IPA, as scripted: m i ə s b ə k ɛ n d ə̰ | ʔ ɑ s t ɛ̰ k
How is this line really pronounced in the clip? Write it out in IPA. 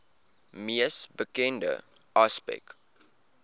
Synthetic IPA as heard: m i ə s b ə k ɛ n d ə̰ | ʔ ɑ s p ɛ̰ k